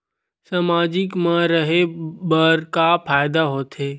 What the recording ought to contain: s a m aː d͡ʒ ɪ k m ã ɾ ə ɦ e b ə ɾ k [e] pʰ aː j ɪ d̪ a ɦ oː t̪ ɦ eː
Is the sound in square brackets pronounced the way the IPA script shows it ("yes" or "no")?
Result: no